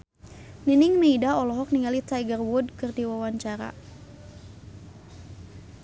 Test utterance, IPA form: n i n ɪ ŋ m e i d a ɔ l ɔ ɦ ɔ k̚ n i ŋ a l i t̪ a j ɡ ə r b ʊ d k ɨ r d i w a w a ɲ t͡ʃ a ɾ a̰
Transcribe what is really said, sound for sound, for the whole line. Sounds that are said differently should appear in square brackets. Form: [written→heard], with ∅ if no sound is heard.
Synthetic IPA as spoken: n i n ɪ ŋ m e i d a ɔ l ɔ ɦ ɔ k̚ n i ŋ a l i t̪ a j ɡ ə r [b→w] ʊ d k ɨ r d i w a w a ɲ t͡ʃ a ɾ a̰